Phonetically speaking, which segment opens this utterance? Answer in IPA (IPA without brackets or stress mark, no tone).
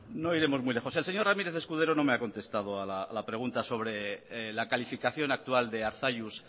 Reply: n